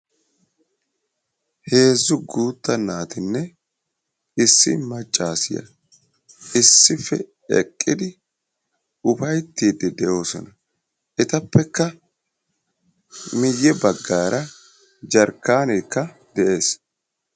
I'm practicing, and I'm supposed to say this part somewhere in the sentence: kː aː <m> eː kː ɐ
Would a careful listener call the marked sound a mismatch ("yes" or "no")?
yes